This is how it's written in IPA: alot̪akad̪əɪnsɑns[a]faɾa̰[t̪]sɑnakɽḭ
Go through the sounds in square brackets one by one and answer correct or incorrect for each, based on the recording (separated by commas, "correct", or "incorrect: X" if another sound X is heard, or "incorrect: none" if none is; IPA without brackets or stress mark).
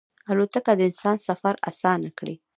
correct, incorrect: none